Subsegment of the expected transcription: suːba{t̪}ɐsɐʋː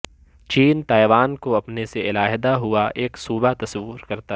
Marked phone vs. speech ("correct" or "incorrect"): correct